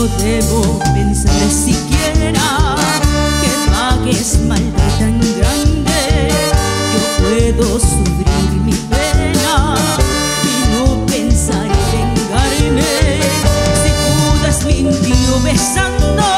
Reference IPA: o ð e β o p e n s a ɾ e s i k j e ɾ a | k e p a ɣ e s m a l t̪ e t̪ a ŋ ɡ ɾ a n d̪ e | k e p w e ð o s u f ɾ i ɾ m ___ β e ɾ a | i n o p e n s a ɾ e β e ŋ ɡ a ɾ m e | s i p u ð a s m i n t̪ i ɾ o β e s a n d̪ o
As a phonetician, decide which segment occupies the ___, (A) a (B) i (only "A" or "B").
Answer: B